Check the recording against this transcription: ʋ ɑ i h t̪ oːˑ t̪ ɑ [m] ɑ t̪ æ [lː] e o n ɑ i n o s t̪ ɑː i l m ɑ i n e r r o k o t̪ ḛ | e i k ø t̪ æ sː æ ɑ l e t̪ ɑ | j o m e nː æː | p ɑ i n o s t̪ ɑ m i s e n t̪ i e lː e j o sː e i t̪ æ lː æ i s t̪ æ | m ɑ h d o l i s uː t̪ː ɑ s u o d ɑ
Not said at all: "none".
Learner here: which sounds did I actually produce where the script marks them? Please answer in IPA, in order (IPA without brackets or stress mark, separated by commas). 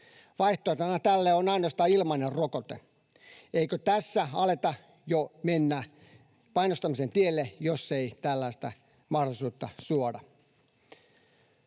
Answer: n, lː